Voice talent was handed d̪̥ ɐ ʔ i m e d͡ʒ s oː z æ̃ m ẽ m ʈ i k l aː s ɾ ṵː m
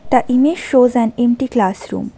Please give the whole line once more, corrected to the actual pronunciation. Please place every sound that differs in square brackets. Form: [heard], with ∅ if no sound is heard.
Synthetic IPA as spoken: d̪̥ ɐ ʔ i m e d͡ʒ [ʃ] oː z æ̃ [n] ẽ m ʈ i k l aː s ɾ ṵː m